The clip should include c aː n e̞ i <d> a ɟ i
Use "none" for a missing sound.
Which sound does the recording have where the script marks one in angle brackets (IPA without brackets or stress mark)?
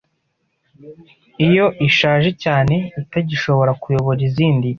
t